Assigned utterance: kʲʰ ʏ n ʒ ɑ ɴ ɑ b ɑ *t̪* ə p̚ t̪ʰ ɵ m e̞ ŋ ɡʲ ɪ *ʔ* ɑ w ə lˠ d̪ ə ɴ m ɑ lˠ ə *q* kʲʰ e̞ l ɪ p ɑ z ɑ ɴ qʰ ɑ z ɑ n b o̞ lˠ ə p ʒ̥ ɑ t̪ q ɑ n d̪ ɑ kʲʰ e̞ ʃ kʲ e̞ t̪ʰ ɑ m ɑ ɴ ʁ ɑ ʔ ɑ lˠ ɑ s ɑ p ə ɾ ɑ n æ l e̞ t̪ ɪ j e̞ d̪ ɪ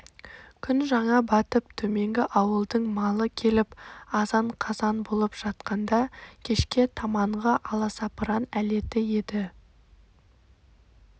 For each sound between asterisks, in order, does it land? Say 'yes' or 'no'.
yes, yes, no

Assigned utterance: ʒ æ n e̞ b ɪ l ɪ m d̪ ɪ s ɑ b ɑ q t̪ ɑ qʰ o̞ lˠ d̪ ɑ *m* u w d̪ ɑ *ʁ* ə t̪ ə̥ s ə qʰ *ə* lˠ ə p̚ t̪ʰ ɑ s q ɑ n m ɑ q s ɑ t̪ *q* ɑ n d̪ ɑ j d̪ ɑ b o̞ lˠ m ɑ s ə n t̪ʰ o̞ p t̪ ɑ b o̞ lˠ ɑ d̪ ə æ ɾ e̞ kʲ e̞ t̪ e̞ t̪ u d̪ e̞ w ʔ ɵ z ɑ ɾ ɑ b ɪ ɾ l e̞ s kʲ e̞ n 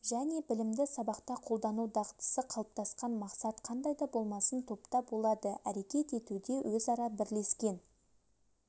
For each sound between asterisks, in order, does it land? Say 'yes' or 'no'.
no, yes, no, no

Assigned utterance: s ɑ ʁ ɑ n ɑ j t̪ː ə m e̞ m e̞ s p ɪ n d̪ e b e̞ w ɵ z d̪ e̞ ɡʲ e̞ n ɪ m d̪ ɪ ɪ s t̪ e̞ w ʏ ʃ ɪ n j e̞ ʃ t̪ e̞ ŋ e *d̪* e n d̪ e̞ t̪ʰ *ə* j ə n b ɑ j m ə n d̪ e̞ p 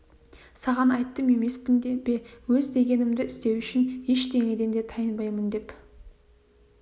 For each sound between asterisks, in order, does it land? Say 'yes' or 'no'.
yes, no

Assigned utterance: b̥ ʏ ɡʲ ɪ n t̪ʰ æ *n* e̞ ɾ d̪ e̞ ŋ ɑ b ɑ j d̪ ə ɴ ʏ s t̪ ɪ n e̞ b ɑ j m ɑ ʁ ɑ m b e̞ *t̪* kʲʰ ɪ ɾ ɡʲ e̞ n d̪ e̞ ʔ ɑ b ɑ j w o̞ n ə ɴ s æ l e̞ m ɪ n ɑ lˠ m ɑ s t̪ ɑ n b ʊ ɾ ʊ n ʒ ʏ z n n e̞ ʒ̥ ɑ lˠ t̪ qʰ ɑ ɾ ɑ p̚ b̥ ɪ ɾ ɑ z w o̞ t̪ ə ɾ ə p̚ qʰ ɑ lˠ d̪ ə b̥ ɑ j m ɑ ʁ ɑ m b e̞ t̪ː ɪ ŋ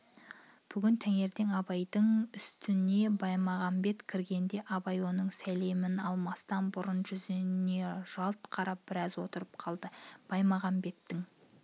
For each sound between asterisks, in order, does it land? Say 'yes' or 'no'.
no, yes

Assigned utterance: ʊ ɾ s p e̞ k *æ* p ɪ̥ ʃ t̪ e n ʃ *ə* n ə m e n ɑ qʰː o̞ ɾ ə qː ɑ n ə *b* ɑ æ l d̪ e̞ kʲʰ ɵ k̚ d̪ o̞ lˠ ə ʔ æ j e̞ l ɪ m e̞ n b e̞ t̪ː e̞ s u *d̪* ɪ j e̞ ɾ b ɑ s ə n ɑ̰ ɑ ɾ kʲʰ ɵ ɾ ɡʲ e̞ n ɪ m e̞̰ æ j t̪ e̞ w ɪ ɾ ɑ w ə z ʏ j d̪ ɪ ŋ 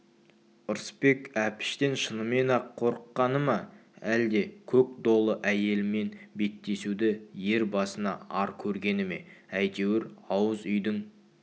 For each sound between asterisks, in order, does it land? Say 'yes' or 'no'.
yes, yes, no, yes

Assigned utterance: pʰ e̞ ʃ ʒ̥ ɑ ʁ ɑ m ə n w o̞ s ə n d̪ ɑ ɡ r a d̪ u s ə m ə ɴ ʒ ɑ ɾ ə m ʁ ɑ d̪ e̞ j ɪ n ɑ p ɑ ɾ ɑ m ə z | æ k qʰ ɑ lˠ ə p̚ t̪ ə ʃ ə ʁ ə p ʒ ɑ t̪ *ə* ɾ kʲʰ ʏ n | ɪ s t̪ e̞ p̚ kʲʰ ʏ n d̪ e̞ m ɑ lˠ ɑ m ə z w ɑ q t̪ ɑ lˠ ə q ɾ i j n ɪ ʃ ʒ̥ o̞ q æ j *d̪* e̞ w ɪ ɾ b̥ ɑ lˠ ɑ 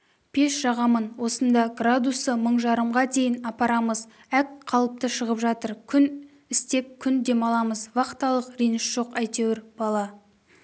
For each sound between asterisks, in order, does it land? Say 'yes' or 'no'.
yes, no

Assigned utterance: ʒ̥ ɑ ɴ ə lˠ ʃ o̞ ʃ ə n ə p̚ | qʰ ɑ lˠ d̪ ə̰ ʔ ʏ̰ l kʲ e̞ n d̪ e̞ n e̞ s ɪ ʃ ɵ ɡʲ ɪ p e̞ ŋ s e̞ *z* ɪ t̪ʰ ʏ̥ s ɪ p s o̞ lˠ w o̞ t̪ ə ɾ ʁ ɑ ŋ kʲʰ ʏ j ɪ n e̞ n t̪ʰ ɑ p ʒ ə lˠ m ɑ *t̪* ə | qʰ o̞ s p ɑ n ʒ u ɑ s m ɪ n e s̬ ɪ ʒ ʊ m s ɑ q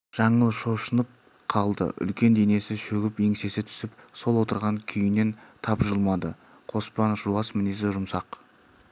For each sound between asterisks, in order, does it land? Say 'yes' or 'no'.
no, no

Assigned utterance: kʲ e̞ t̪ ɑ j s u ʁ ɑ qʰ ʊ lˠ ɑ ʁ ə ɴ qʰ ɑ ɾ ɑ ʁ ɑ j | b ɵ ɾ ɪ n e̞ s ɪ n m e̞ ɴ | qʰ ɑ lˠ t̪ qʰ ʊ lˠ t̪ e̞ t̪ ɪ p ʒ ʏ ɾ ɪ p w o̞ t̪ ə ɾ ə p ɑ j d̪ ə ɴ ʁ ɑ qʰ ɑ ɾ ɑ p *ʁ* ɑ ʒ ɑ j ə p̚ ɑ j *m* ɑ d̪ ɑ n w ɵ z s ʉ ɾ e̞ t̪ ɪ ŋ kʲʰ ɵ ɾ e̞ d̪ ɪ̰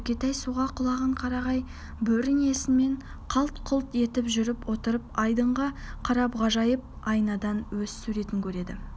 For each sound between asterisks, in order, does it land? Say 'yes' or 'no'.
yes, no

